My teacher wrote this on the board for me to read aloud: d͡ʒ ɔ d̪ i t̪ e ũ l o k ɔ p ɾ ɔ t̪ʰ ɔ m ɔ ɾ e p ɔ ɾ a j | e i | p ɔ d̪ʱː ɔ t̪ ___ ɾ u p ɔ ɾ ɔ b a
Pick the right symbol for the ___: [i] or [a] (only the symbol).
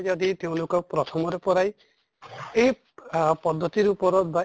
i